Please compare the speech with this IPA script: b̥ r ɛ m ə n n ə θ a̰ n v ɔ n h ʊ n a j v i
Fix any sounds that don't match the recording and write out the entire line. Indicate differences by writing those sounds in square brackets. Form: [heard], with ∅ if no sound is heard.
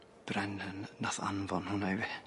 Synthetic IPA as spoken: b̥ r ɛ [n] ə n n [a] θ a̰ n v ɔ n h ʊ n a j v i

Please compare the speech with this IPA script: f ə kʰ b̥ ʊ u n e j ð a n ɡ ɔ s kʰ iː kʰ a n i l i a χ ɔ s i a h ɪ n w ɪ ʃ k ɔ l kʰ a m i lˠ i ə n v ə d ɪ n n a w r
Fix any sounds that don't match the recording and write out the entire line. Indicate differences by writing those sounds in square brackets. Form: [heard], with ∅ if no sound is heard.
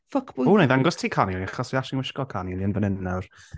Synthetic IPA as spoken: f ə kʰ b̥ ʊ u n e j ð a [ŋ] ɡ ɔ s [tʰ] iː kʰ a n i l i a χ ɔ s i a [ʃ] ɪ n w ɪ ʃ k ɔ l kʰ a [n] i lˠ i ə n v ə [n] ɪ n n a w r

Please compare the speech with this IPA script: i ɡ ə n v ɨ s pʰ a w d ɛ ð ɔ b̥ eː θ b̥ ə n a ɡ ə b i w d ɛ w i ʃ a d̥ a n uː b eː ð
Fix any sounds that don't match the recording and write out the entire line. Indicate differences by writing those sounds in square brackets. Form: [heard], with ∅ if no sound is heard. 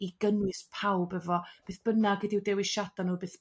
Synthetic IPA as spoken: i ɡ ə n [w] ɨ s pʰ a w [b] ɛ [v] ɔ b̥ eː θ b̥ ə n a ɡ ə [d] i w d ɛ w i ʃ a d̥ a n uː b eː [θ]

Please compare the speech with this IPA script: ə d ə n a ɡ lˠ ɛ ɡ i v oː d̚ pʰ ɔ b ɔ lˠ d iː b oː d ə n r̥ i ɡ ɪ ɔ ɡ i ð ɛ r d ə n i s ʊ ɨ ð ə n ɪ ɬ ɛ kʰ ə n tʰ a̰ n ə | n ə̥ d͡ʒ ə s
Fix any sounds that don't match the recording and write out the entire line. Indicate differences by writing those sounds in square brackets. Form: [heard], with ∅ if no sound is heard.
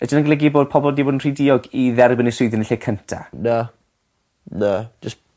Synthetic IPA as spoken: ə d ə n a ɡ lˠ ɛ ɡ i [b] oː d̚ pʰ ɔ b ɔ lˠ d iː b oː d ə n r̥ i [d] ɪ ɔ ɡ i ð ɛ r [b] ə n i s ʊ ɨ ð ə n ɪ ɬ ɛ kʰ ə n tʰ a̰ n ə | n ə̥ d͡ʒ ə s

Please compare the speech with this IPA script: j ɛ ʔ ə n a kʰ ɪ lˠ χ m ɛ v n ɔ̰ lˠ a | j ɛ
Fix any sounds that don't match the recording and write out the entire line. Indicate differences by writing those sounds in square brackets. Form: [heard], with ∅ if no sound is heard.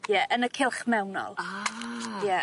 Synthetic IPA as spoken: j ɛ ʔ ə n [ə] kʰ ɪ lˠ χ m ɛ [w] n ɔ̰ lˠ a | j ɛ

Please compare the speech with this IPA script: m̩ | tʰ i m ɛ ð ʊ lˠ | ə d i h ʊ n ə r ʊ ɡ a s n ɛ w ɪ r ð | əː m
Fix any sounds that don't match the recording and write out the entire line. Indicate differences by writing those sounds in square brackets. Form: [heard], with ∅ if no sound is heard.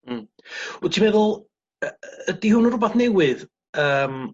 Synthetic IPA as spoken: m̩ | tʰ i m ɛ ð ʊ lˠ | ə d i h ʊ n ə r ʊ [b] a [θ] n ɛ w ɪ [∅] ð | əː m

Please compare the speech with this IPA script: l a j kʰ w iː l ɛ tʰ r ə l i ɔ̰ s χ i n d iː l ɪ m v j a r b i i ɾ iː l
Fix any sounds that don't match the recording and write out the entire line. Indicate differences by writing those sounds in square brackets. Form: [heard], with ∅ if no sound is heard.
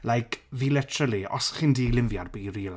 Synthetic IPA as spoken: l a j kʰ [v] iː l ɛ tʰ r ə l i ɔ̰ s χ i n d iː l ɪ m v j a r b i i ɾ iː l

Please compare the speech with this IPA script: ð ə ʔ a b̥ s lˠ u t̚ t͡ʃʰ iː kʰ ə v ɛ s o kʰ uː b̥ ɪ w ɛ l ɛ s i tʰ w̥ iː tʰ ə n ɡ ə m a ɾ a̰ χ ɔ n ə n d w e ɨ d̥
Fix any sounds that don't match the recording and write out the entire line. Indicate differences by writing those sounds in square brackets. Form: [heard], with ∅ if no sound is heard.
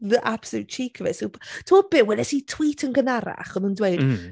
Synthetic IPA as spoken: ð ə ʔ a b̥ s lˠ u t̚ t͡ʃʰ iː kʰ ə v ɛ s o [tʰ] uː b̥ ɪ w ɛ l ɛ s i tʰ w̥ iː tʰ ə n ɡ ə [n] a ɾ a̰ χ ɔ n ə n d w e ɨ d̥

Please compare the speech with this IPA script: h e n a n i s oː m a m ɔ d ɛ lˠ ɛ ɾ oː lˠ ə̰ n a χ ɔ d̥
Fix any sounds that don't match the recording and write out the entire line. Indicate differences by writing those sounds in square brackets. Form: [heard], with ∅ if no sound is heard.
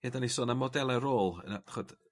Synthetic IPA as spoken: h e [d] a n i s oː [n] a m ɔ d ɛ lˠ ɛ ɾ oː lˠ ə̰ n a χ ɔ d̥

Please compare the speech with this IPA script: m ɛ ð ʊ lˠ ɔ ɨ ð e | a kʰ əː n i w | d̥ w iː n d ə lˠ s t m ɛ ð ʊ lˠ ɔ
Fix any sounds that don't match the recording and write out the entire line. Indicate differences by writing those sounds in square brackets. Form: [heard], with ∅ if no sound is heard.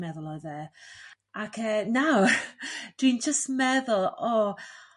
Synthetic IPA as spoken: m ɛ ð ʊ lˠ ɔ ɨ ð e | a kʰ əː n [a] w | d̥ w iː n [d͡ʒ] ə [∅] s t m ɛ ð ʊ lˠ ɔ

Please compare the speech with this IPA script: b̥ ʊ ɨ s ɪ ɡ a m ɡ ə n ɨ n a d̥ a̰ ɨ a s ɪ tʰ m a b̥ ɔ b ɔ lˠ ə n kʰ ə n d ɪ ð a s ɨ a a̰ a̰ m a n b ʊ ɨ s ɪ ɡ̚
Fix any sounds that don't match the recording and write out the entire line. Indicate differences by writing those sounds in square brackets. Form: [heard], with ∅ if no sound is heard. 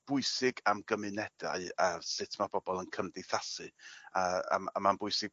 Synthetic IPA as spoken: b̥ ʊ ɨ s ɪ ɡ a m ɡ ə [m] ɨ n [ɛ] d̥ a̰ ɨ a s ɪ tʰ m a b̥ ɔ b ɔ lˠ ə n kʰ ə [m] d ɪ [θ] a s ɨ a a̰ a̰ m a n b ʊ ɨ s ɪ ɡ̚

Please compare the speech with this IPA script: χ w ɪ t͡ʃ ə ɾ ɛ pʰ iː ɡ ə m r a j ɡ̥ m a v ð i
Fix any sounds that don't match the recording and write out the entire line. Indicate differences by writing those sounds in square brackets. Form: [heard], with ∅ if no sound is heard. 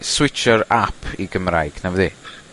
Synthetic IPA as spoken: [s] w ɪ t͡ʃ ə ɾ [a] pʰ [i] ɡ ə m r a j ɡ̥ [n] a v ð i

